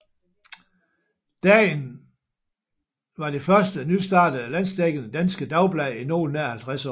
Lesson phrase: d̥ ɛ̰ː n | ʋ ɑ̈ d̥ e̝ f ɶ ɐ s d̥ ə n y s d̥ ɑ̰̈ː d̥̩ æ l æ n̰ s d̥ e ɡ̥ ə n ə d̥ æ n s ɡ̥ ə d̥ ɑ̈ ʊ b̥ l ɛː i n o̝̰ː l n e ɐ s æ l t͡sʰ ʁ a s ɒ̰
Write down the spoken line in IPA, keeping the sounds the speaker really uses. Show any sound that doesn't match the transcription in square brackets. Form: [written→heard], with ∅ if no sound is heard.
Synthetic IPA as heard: d̥ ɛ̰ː n | ʋ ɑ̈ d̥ e̝ f ɶ ɐ s d̥ ə n y s d̥ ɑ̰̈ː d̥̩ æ l æ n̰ s d̥ e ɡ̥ ə n ə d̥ æ n s ɡ̥ ə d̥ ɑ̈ ʊ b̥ l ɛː i n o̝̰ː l n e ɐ [s→h] æ l t͡sʰ ʁ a s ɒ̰